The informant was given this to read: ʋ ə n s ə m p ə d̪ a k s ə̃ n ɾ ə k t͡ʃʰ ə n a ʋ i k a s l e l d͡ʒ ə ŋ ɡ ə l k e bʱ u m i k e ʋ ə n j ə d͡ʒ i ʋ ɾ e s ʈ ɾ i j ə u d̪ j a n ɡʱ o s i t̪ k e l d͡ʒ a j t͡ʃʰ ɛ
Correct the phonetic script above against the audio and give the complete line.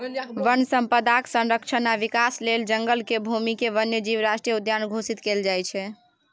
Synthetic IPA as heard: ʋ ə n s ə m p ə d̪ a k s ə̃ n ɾ ə k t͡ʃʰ ə n a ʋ i k a s l e l d͡ʒ ə ŋ ɡ ə l k e bʱ u m i k e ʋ ə n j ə d͡ʒ i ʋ ɾ a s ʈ ɾ i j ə u d̪ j a n ɡʱ o s i t̪ k e l d͡ʒ a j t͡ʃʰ ɛ